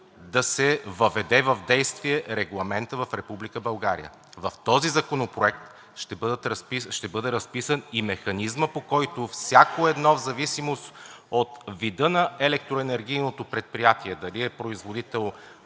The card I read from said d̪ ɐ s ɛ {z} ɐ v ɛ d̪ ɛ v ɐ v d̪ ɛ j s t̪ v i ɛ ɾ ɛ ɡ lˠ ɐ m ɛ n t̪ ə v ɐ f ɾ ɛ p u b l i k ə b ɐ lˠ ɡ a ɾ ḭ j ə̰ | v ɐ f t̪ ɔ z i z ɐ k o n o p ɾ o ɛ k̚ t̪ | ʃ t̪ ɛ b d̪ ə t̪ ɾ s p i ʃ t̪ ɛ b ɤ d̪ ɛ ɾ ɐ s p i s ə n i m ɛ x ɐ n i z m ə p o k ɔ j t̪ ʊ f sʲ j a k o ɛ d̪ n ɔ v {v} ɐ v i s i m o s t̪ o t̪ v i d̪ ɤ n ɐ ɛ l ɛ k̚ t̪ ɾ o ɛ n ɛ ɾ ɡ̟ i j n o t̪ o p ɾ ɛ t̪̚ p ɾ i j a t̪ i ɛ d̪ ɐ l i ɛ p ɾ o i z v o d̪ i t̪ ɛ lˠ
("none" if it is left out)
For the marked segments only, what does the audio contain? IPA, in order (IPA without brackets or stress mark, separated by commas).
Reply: v, z